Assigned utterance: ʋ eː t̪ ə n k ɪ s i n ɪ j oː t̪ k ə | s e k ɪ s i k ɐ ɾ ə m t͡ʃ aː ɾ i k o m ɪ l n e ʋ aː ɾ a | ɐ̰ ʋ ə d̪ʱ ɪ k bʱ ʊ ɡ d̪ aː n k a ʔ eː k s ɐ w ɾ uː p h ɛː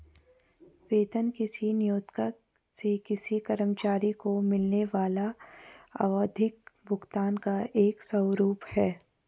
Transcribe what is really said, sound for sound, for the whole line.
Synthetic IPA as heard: ʋ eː t̪ ə n k ɪ s i n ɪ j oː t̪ k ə | s e k ɪ s i k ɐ ɾ ə m t͡ʃ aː ɾ i k o m ɪ l n e ʋ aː l a | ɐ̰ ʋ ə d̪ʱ ɪ k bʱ ʊ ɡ t̪ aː n k a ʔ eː k s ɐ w ɾ uː p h ɛː